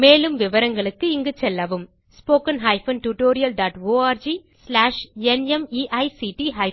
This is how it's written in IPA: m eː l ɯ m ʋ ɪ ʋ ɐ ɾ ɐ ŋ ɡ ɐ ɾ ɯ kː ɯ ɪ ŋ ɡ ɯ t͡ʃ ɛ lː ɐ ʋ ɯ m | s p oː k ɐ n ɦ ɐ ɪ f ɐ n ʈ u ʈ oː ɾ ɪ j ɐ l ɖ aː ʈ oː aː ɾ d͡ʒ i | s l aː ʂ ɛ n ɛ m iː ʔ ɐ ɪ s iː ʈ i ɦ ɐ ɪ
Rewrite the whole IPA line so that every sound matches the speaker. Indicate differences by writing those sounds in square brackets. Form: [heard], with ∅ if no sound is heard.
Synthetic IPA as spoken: m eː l ɯ m ʋ ɪ ʋ ɐ ɾ ɐ ŋ ɡ ɐ [ɭ] ɯ kː ɯ ɪ ŋ ɡ ɯ t͡ʃ ɛ lː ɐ ʋ ɯ m | s p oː k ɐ n ɦ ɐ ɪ f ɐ n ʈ u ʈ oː ɾ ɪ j ɐ l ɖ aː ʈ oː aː ɾ d͡ʒ i | s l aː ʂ ɛ n ɛ m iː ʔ ɐ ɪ s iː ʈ i ɦ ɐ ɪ

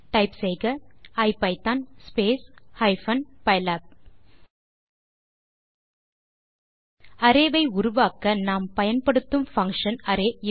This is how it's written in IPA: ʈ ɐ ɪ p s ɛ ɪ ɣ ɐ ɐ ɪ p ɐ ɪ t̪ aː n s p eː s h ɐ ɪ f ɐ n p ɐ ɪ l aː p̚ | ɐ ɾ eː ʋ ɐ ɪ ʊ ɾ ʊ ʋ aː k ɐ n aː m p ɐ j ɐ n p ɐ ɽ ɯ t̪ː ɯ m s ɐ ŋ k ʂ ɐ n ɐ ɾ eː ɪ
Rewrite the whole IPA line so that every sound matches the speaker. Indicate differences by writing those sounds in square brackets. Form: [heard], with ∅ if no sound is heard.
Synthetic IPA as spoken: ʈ ɐ ɪ p s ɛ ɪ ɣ ɐ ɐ ɪ p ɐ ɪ t̪ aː n s p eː s h ɐ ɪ f ɐ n p ɐ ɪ l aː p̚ | ɐ ɾ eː ʋ ɐ ɪ ʊ ɾ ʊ ʋ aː k ɐ n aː m p ɐ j ɐ n p ɐ ɽ ɯ t̪ː ɯ m [f] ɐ ŋ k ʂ ɐ n ɐ ɾ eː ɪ

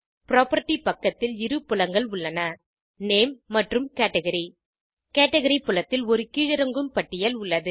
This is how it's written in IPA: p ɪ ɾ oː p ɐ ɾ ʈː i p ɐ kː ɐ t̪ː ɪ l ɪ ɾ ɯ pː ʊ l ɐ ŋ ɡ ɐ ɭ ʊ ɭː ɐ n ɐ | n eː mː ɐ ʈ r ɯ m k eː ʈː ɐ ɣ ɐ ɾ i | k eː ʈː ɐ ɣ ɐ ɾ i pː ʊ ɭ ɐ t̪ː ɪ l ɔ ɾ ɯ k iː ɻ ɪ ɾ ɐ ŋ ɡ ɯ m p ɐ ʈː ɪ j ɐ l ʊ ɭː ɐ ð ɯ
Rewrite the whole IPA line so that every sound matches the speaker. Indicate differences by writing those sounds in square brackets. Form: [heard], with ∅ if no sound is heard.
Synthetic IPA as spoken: p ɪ ɾ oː p ɐ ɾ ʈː i p ɐ kː ɐ t̪ː ɪ l ɪ ɾ ɯ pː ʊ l ɐ ŋ ɡ ɐ ɭ ʊ ɭː ɐ n ɐ | n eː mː ɐ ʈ r ɯ m k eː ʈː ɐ ɣ ɐ ɾ i | k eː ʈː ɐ ɣ ɐ ɾ i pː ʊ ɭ ɐ t̪ː ɪ l ɔ ɾ ɯ k iː ɻ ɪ ɾ ɐ ŋ ɡ ɯ m p ɐ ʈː ɪ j ɐ l ʊ ɭː ɐ ð ɯ

